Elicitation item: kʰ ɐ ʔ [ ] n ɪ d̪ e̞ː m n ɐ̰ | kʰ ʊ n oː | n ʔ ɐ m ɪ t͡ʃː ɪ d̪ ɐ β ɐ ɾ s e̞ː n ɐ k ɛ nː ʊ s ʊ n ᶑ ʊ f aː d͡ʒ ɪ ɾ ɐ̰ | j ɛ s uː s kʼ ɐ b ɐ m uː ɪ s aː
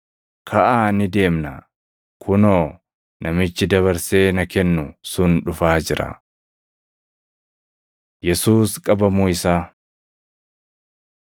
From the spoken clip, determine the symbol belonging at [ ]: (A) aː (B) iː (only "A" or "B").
A